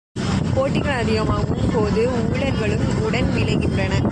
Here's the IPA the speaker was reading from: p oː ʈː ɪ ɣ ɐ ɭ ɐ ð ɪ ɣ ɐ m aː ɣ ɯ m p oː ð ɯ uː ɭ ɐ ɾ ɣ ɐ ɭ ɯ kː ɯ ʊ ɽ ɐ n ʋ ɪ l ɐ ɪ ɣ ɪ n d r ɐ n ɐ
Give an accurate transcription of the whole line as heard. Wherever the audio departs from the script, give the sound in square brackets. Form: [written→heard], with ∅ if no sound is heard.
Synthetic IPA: p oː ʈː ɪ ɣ ɐ ɭ ɐ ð ɪ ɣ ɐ m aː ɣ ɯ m p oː ð ɯ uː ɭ ɐ ɾ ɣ ɐ ɭ ɯ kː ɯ ʊ ɽ ɐ n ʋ ɪ l ɐ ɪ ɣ ɪ n d r ɐ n ɐ